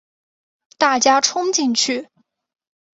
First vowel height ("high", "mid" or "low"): low